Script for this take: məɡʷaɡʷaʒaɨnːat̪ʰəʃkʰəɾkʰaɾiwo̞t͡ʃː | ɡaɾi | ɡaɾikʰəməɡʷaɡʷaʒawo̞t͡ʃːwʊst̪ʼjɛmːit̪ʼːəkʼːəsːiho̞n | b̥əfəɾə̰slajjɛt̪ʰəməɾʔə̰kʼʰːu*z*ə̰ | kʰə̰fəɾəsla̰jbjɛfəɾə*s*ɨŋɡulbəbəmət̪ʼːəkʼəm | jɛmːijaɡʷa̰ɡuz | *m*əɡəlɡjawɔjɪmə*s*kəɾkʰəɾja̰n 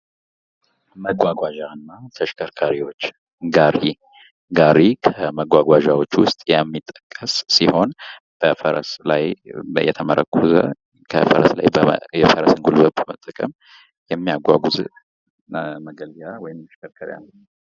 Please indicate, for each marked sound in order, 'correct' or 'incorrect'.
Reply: correct, correct, correct, incorrect

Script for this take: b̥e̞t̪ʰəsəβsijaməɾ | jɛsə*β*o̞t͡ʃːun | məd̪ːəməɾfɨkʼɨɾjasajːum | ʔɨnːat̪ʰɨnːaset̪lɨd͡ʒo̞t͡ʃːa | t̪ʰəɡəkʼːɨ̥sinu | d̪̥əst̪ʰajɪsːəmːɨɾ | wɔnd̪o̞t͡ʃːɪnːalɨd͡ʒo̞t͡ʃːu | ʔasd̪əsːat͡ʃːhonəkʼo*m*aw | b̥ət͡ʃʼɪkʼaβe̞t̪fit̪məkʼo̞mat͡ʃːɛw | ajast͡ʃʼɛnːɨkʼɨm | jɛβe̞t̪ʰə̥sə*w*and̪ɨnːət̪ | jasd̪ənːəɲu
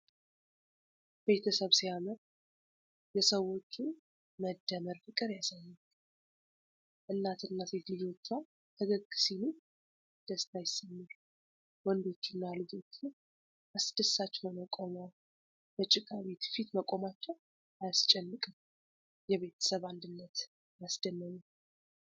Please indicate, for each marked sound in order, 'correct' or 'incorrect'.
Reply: incorrect, correct, incorrect

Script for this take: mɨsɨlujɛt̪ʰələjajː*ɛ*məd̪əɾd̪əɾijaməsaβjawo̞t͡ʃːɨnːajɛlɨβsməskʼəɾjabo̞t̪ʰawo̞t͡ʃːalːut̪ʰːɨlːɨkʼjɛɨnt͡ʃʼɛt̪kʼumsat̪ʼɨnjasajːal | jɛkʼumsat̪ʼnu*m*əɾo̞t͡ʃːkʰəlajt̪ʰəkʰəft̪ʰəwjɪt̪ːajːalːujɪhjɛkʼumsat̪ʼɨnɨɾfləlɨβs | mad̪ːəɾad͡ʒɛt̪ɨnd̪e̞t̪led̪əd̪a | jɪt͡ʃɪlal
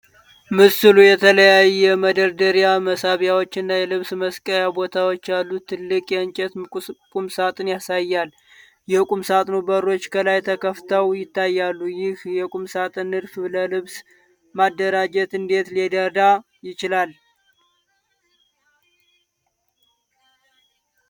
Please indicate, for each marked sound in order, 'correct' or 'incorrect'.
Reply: correct, incorrect

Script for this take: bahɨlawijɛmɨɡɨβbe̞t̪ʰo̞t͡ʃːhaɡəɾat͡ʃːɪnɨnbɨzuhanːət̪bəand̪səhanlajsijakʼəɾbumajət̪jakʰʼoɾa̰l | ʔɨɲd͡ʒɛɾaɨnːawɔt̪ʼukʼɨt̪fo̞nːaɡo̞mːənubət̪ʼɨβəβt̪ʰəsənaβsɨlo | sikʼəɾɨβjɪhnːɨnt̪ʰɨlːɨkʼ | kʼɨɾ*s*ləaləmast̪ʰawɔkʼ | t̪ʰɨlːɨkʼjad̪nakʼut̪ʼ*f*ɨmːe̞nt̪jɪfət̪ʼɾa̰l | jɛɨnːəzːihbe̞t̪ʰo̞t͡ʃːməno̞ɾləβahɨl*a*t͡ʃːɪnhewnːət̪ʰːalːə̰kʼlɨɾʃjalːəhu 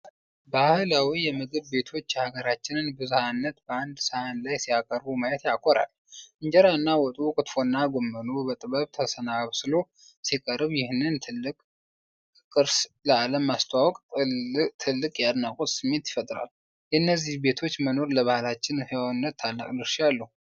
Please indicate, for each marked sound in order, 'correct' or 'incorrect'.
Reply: correct, incorrect, correct

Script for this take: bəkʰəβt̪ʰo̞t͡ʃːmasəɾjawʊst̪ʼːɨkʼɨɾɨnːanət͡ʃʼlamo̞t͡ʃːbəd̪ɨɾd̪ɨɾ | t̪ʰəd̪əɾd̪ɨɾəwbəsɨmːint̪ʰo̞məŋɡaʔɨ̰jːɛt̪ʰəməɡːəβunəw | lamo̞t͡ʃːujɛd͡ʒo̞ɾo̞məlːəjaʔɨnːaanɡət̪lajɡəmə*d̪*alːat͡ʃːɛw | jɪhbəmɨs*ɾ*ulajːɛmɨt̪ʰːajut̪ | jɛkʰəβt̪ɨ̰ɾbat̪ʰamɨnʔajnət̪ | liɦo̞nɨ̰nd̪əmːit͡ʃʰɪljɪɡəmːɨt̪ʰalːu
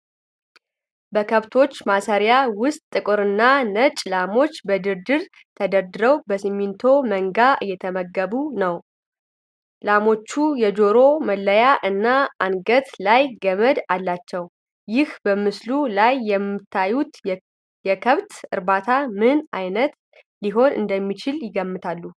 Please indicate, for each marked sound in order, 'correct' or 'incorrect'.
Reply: correct, incorrect

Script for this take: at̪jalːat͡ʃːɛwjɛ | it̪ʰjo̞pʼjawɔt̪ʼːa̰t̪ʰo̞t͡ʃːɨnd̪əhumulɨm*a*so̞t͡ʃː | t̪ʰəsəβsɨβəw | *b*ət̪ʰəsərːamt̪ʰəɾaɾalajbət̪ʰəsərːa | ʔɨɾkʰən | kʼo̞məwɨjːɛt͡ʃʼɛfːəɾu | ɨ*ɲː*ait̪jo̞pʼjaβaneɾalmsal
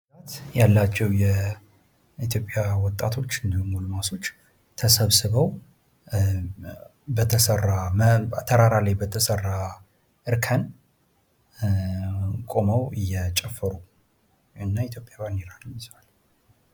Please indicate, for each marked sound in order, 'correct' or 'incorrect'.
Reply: correct, correct, incorrect

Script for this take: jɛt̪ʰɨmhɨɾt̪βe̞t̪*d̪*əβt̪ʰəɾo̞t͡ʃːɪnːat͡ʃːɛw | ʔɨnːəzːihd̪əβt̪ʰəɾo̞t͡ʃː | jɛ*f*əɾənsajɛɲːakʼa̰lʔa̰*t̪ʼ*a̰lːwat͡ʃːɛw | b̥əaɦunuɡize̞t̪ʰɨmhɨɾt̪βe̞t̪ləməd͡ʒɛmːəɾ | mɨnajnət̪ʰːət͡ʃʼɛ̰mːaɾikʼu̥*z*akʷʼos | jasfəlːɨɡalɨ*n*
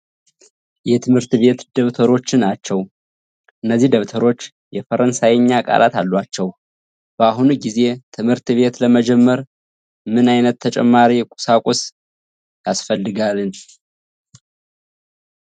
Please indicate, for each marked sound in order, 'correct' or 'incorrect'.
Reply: correct, correct, incorrect, incorrect, correct

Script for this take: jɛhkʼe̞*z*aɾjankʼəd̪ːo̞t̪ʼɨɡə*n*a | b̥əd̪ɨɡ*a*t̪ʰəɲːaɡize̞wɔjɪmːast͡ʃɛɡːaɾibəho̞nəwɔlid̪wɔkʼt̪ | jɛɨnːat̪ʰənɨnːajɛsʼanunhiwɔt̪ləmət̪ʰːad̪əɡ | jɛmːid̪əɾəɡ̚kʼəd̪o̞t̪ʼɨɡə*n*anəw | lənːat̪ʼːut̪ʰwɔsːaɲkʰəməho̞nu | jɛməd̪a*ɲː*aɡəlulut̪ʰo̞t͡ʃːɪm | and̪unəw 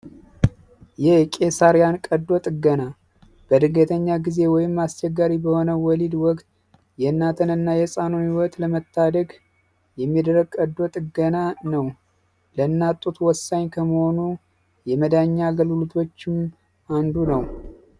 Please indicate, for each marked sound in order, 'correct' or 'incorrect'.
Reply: incorrect, correct, incorrect, correct, correct

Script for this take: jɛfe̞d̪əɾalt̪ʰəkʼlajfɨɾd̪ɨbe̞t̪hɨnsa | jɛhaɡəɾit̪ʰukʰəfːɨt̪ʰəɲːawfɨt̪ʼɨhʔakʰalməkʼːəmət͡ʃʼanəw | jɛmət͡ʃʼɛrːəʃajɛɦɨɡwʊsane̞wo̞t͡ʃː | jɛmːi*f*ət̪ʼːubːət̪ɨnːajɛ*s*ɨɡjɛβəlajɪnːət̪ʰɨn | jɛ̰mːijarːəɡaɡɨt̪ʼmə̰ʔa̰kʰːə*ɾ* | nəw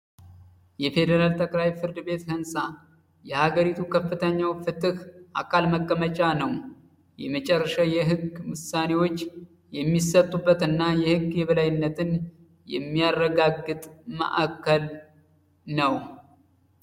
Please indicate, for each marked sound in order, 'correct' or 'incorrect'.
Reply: incorrect, incorrect, incorrect

